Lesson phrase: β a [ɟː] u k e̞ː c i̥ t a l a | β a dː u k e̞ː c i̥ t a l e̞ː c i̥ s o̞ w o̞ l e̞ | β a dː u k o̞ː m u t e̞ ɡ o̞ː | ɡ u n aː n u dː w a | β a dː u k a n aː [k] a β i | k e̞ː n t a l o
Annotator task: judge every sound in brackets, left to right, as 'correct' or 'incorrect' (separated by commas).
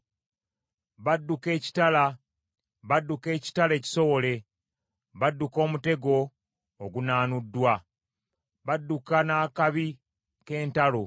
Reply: incorrect, correct